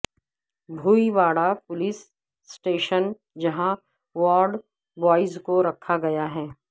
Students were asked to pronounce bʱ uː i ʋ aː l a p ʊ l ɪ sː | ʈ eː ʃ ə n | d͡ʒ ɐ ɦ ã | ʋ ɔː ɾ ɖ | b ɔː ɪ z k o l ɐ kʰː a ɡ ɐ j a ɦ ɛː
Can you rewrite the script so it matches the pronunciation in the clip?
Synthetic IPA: bʱ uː i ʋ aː ɽ a p ʊ l ɪ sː | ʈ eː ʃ ə n | d͡ʒ ɐ ɦ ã | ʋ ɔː ɾ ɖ | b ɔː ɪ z k o ɾ ɐ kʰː a ɡ ɐ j a ɦ ɛː